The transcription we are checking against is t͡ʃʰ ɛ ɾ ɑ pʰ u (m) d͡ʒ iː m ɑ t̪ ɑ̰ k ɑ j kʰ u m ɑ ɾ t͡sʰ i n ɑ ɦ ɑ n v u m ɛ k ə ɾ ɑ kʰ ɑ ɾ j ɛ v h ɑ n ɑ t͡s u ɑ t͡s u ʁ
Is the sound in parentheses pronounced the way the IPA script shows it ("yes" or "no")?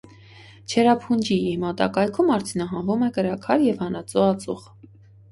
no